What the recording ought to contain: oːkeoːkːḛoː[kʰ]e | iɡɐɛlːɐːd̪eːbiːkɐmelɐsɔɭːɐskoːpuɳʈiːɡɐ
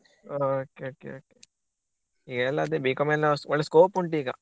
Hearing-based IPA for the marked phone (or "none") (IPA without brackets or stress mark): k